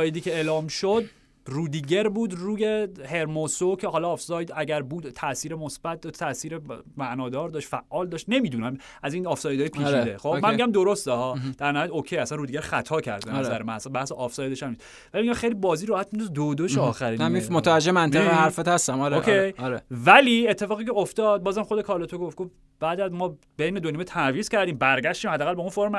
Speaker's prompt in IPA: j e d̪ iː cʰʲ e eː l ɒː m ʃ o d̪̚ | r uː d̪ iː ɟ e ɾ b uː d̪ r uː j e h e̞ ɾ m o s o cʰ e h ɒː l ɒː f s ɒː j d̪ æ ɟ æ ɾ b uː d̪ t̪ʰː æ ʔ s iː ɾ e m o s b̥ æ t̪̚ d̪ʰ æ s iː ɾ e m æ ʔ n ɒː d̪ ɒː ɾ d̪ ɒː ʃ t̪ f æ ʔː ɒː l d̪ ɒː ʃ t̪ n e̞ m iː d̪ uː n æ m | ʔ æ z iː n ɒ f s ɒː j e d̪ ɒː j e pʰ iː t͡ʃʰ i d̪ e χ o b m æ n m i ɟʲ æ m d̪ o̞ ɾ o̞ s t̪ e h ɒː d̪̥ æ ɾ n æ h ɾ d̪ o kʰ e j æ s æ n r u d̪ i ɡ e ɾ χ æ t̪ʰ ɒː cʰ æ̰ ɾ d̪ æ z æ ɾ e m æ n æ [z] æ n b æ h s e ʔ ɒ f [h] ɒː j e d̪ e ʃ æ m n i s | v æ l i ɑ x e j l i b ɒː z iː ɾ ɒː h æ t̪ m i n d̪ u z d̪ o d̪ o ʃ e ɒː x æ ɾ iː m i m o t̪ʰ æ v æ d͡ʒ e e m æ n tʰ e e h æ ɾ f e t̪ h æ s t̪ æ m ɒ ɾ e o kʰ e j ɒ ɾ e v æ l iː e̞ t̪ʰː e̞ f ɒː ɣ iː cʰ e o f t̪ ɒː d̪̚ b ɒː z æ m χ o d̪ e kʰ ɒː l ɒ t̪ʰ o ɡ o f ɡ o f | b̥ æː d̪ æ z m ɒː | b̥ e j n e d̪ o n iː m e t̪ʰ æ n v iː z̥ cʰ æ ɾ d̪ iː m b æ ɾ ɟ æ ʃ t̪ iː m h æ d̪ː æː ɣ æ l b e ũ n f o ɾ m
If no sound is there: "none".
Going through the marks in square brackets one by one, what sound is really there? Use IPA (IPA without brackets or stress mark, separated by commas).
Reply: s, s